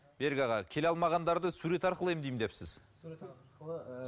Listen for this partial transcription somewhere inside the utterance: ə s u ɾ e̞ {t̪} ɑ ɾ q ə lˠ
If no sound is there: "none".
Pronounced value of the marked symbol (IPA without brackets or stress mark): t̪